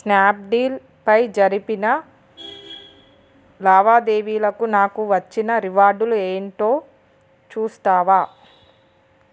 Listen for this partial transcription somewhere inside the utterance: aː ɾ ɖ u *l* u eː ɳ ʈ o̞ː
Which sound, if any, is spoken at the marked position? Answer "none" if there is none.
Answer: l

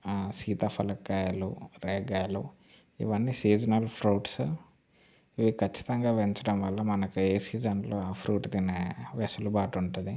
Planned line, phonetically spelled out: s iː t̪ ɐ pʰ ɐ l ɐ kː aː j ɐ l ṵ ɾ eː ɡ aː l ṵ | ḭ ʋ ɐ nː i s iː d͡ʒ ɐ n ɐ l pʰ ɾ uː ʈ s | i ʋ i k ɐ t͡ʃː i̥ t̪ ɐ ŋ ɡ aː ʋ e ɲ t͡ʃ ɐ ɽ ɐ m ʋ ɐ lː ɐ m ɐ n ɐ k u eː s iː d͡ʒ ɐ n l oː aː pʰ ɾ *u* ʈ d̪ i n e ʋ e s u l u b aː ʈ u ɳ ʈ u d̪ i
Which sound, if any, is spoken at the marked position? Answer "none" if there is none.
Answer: uː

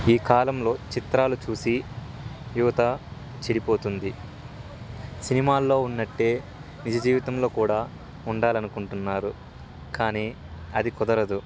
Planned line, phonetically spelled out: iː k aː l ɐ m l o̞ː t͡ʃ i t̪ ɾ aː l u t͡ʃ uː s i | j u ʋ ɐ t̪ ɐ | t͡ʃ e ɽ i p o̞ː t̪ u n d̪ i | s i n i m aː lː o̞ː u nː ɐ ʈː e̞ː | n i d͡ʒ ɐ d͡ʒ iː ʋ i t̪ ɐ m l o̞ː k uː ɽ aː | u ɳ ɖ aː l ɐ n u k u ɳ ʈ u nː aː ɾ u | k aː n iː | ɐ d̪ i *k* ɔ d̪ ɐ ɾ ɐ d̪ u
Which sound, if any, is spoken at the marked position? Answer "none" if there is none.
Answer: k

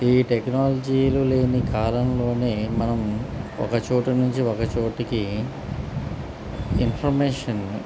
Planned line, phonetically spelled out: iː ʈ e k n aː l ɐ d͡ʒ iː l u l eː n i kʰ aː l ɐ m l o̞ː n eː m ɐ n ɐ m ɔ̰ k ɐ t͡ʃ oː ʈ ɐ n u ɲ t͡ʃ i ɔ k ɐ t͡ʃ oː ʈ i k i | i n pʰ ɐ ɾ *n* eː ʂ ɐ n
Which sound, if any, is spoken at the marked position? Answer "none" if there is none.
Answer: m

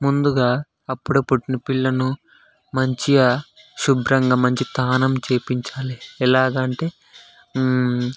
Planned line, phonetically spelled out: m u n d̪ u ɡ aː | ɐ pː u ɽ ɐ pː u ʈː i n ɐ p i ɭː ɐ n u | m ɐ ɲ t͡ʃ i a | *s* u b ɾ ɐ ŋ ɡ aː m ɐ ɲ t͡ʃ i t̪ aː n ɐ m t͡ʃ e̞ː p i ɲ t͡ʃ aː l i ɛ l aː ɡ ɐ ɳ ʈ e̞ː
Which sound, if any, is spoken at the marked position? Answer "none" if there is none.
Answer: ʃ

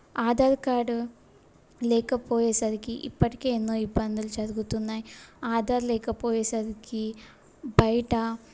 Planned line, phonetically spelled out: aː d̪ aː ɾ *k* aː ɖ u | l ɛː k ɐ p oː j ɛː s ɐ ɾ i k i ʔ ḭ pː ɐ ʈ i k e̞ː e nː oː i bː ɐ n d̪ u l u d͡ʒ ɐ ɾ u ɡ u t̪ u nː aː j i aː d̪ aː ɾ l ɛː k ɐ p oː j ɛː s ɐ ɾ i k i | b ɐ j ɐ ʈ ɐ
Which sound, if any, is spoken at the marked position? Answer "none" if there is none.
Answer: k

